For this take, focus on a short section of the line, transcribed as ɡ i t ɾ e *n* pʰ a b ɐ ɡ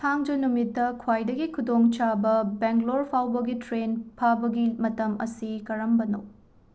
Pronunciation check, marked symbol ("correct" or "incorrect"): correct